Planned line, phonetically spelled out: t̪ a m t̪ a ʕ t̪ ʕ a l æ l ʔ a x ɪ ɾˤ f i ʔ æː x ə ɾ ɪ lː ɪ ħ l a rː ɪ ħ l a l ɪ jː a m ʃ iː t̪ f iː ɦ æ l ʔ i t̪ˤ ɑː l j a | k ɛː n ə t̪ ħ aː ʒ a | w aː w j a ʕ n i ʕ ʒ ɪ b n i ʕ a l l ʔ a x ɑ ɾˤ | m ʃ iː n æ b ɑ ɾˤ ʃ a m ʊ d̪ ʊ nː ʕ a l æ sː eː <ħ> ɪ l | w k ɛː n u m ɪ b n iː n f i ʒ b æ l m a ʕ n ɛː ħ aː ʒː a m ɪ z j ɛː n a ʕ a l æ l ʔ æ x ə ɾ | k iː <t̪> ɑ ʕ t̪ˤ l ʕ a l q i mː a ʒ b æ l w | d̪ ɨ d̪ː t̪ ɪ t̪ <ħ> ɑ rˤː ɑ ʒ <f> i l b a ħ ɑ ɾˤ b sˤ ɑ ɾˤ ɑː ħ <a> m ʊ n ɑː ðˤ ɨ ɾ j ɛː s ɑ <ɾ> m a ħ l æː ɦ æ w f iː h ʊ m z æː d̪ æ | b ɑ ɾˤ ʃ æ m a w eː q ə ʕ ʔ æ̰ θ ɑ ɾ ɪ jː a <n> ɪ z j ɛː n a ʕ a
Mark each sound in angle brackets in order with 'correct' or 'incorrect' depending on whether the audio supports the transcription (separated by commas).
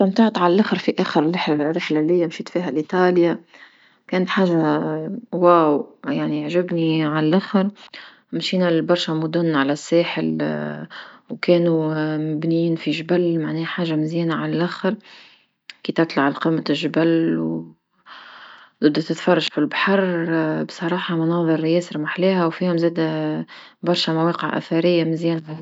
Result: correct, correct, incorrect, correct, incorrect, correct, incorrect